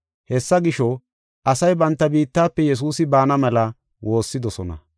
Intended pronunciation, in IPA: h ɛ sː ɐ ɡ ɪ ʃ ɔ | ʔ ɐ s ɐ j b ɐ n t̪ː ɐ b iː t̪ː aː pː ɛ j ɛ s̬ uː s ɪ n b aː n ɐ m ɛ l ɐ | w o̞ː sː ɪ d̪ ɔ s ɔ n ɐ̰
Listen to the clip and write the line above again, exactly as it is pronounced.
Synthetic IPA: h ɛ sː ɐ ɡ ɪ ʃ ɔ | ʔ ɐ s ɐ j b ɐ n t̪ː ɐ b iː t̪ː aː pː ɛ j ɛ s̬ uː s ɪ b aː n ɐ m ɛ l ɐ | w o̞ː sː ɪ d̪ ɔ s ɔ n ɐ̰

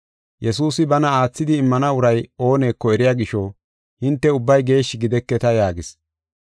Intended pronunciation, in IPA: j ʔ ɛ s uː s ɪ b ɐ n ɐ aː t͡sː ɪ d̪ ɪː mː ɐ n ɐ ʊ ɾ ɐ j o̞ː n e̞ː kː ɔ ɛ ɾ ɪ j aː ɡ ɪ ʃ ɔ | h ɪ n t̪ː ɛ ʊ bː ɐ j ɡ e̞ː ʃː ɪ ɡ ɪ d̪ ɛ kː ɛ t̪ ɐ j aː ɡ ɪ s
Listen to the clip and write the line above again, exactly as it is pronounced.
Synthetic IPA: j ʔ ɛ s uː s ɪ b ɐ n ɐ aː t͡sː ɪ d̪ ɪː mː ɐ n ɐ ʊ ɾ ɐ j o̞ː n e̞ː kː ɔ ɛ ɾ ɪ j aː ɡ ɪ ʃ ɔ | h ɪ n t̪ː ɛ ʊ bː ɐ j ɡ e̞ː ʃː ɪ ɡ ɪ d̪ ɛ kː ɛ t̪ ɐ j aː ɡ ɪ s

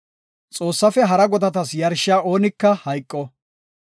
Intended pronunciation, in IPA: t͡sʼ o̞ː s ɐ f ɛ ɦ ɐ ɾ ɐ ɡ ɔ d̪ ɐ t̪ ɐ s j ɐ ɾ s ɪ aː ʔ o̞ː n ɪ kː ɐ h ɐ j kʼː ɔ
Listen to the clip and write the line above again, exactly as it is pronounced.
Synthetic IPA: t͡sʼ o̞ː sː ɐ f ɛ ɦ ɐ ɾ ɐ ɡ ɔ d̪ ɐ t̪ ɐ s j ɐ ɾ ʃ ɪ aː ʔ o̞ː n ɪ kː ɐ h ɐ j kʼː ɔ

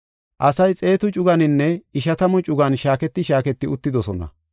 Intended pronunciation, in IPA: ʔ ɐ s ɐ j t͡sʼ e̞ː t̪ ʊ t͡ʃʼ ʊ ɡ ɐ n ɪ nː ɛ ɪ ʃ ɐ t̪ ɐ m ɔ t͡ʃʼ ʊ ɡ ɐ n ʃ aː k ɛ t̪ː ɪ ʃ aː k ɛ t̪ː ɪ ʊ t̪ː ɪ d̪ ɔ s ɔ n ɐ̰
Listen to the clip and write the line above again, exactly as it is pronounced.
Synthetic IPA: ʔ ɐ s ɐ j t͡sʼ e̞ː t̪ ʊ t͡ʃʼ ʊ ɡ ɐ n ɪ nː ɛ ɪ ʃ ɐ t̪ ɐ m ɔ t͡ʃʼ ʊ ɡ ɐ n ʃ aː k ɛ t̪ː ɪ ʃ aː k ɛ t̪ː ɪ ʊ t̪ː ɪ d̪ ɔ s ɔ n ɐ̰

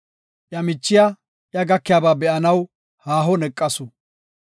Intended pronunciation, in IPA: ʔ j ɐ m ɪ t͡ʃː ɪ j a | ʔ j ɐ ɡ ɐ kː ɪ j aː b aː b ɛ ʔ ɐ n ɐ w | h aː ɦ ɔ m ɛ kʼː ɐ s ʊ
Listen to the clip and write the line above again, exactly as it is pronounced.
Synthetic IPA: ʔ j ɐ m ɪ t͡ʃː ɪ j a | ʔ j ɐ ɡ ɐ kː ɪ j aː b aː b ɛ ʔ ɐ n ɐ w | h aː ɦ ɔ n ɛ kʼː ɐ s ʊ

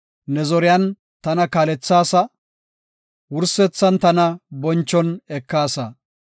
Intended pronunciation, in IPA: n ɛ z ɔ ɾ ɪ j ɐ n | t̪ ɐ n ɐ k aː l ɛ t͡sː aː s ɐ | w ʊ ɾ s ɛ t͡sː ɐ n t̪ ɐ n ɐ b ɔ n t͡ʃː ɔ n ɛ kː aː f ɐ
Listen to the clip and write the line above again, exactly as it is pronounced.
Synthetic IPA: n ɛ z ɔ ɾ ɪ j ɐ n | t̪ ɐ n ɐ k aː l ɛ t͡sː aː s ɐ | w ʊ ɾ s ɛ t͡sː ɐ n t̪ ɐ n ɐ b ɔ n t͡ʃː ɔ n ɛ kː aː s ɐ

